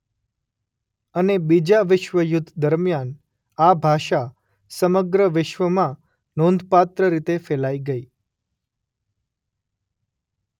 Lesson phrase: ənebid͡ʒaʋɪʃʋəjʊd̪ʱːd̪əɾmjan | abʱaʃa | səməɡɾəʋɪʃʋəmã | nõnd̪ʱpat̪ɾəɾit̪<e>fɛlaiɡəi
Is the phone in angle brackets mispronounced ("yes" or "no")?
no